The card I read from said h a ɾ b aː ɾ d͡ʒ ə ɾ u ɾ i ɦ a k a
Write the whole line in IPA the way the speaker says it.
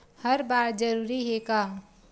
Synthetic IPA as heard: h ə ɾ b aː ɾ d͡ʒ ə ɾ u ɾ i ɦ e k a